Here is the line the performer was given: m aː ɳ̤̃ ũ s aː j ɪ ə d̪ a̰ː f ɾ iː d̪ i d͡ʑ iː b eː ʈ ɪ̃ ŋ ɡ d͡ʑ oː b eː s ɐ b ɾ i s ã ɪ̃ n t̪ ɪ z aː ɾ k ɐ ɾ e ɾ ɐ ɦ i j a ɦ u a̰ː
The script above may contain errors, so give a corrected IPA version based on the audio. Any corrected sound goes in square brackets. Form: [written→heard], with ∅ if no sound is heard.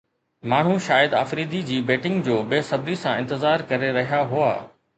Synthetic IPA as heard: m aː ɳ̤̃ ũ [s→ʃ] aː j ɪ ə d̪ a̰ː f ɾ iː d̪ i d͡ʑ iː b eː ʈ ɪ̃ ŋ ɡ d͡ʑ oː b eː s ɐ b ɾ i s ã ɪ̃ n t̪ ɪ z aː ɾ k ɐ ɾ e ɾ ɐ ɦ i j a ɦ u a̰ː